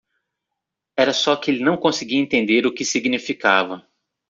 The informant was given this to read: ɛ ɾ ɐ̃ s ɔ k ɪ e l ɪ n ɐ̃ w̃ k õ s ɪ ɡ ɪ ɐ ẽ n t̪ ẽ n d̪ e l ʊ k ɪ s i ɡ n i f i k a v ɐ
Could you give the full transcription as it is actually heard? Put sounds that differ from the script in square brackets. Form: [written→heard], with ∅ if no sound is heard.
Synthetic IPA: ɛ ɾ [ɐ̃→ɐ] s ɔ k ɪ e l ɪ n ɐ̃ w̃ k õ s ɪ ɡ [ɪ→i] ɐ ẽ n t̪ ẽ n d̪ e [l→ɾ] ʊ k ɪ s i ɡ n i f i k a v ɐ